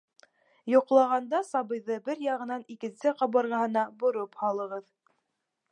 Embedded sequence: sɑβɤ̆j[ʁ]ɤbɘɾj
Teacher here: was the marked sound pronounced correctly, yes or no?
no